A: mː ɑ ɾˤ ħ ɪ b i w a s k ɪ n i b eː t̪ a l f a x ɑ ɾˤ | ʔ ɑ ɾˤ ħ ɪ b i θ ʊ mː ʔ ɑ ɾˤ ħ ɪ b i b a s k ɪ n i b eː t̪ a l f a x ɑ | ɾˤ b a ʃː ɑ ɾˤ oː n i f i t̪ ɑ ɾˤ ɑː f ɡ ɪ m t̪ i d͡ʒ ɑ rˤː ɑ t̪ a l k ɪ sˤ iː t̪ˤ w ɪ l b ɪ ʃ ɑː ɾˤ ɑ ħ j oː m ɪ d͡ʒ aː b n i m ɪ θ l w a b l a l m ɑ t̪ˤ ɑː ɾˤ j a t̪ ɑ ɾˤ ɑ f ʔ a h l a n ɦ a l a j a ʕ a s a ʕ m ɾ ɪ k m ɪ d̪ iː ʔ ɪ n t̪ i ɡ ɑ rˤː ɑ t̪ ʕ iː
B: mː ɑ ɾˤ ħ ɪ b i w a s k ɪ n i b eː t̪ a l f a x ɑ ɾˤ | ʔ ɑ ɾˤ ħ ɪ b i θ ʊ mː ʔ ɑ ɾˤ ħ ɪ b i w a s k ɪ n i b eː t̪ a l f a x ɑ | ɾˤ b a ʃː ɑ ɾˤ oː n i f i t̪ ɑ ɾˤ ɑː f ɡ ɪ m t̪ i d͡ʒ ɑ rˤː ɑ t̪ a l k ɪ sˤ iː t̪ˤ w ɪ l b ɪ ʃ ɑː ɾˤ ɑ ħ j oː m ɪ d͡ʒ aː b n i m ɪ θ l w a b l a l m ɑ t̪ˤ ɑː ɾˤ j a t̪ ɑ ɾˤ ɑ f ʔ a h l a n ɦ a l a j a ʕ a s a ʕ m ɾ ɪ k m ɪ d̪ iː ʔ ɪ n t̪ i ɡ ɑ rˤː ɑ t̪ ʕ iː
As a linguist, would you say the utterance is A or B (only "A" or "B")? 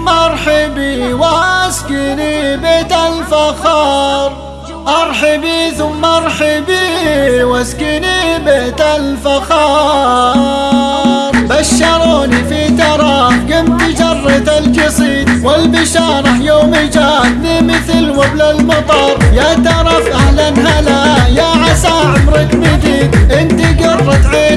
B